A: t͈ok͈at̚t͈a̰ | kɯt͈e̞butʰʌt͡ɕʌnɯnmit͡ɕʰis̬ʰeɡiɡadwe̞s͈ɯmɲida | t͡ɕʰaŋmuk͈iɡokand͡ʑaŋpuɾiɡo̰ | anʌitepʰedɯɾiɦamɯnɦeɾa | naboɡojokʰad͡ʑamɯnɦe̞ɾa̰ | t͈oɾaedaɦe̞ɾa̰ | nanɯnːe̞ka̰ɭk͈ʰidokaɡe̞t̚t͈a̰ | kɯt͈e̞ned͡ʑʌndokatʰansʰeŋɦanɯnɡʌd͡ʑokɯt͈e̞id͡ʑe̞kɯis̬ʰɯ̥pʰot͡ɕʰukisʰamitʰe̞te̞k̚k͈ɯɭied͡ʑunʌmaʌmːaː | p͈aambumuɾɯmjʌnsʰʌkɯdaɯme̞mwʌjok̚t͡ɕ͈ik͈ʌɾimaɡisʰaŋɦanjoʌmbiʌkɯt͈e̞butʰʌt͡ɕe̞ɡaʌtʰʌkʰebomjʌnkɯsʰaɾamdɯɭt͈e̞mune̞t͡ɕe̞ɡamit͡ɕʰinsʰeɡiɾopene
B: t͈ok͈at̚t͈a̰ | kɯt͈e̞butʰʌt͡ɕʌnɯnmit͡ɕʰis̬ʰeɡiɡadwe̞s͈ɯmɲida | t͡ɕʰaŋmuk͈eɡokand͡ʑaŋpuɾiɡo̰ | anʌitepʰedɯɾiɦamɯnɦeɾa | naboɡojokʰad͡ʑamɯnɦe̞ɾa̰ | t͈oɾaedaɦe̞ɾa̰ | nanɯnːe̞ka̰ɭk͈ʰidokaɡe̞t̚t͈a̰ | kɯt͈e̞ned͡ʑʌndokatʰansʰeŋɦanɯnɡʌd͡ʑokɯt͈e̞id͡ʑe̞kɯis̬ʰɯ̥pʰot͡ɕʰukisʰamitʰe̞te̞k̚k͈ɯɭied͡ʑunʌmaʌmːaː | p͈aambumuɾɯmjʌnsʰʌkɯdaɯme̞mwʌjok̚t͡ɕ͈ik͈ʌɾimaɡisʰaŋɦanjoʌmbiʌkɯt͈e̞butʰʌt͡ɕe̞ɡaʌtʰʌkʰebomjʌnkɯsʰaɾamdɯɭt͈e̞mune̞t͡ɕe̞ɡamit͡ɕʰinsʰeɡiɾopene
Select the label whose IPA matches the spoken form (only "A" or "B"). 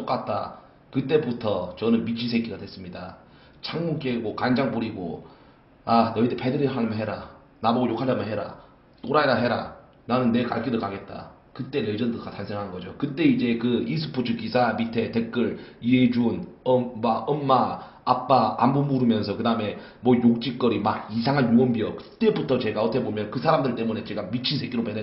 B